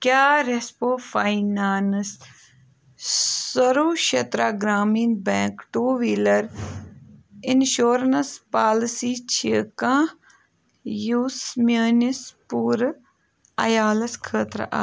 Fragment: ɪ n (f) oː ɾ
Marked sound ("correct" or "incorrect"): incorrect